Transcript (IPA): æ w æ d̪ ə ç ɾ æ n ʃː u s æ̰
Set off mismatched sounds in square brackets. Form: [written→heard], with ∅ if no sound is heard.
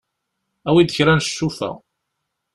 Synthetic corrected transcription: æ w [æ→i] d̪ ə ç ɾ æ n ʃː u [s→f] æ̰